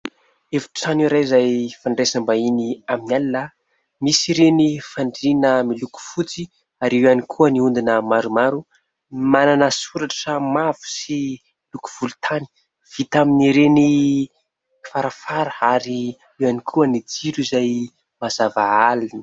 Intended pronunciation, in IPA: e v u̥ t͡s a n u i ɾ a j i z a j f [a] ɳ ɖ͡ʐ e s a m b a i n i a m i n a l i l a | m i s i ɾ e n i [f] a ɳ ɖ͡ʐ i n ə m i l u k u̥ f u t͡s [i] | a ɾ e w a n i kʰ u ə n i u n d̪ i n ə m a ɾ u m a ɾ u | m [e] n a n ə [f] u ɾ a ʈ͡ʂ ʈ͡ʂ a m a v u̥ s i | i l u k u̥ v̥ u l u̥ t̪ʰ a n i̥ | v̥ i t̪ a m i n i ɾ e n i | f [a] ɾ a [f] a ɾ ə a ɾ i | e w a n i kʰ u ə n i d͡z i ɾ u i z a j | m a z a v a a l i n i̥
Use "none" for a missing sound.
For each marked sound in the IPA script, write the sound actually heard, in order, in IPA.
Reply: a, f, i, a, s, a, f

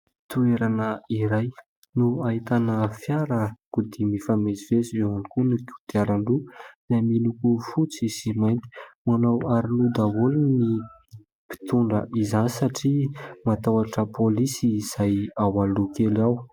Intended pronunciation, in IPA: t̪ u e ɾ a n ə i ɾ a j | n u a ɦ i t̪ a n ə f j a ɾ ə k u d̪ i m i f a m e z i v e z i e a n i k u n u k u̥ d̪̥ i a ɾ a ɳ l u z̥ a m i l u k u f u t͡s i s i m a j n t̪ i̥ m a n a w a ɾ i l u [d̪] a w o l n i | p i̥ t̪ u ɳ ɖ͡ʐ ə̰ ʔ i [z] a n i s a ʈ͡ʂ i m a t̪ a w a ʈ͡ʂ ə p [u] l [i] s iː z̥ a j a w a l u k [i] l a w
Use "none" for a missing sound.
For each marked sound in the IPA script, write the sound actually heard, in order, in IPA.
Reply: d̪, z, o, i, e

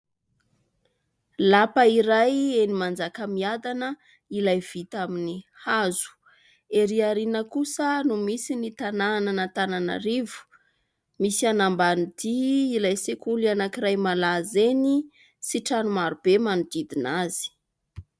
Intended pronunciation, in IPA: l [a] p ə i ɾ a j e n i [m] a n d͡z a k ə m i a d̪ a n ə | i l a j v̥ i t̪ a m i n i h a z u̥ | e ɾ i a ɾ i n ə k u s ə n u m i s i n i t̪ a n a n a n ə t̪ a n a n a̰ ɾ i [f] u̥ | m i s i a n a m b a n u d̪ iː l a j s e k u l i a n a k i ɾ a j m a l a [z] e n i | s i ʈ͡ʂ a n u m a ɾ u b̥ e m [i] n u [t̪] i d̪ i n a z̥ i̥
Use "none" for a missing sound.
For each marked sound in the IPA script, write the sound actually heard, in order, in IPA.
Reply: a, m, v, z, a, d̪

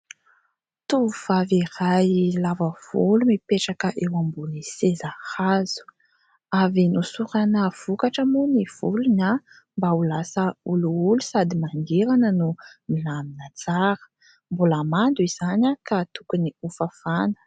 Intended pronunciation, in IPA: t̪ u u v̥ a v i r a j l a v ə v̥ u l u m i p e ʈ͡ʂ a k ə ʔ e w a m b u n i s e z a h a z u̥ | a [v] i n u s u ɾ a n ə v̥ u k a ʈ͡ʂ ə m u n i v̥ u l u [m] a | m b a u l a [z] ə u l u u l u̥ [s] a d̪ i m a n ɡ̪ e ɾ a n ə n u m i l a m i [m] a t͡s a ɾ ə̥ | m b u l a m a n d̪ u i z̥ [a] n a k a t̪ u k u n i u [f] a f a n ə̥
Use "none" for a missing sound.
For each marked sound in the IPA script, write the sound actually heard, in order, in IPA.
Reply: v, n, s, s, n, a, f

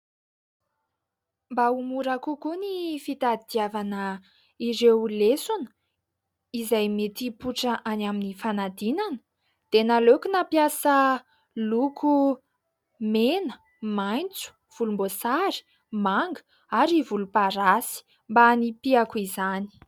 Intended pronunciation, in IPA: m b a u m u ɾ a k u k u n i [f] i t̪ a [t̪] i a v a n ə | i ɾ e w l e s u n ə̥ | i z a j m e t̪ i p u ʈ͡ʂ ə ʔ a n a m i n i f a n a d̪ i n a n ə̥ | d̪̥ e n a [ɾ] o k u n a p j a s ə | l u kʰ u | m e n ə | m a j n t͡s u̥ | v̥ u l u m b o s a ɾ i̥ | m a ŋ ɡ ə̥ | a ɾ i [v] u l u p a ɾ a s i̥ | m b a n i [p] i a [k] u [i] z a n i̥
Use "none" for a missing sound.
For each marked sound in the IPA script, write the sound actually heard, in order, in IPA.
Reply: f, d̪, l, v, p, k, i

